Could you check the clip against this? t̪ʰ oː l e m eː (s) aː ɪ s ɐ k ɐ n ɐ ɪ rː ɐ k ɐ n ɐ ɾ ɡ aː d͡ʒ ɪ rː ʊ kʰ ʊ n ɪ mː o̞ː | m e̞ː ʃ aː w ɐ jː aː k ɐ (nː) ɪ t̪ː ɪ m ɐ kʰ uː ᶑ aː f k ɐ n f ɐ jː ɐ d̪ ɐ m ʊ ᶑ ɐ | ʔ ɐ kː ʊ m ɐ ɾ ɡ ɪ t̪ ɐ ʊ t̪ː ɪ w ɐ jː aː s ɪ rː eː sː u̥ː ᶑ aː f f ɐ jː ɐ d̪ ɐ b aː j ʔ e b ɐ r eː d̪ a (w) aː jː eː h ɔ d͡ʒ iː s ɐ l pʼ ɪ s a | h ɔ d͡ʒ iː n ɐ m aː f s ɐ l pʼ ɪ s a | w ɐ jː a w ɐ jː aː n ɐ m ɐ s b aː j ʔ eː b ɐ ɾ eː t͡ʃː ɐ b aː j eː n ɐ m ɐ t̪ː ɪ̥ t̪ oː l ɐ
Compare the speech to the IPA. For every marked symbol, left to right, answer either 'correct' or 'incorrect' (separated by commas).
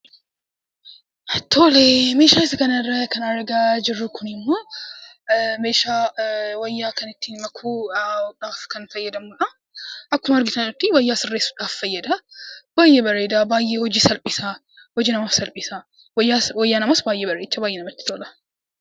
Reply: incorrect, incorrect, incorrect